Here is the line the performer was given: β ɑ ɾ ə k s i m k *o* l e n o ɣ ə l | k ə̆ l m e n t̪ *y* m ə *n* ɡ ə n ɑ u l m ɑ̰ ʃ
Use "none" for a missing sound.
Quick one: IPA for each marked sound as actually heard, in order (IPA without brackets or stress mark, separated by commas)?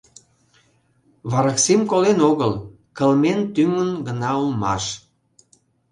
o, y, n